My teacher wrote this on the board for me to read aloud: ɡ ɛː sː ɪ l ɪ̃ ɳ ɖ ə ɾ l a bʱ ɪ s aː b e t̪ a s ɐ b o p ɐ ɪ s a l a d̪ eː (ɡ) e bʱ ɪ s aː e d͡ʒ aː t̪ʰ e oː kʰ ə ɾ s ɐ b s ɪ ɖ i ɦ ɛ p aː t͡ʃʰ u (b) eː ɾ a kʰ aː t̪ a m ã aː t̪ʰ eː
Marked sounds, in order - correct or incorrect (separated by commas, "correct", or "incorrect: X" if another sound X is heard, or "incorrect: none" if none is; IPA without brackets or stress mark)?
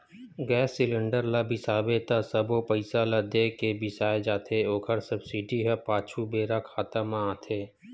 incorrect: k, correct